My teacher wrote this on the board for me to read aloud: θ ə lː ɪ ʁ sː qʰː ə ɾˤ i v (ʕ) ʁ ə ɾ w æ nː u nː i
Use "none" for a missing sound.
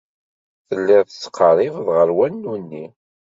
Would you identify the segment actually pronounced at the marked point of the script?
ð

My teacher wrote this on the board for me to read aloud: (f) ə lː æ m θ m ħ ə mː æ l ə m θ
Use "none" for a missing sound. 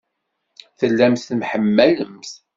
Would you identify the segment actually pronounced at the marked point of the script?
θ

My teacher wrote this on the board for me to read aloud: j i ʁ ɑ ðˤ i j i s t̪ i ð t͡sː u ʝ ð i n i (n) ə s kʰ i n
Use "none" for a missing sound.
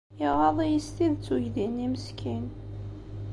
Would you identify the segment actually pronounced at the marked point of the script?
m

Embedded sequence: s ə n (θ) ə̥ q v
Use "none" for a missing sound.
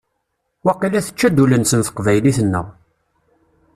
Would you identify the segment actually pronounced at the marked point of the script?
θ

